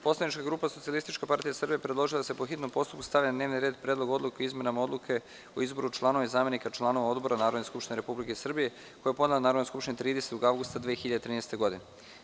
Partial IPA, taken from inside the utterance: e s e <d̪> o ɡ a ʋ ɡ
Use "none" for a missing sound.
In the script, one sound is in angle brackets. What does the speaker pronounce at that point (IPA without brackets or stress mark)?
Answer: t̪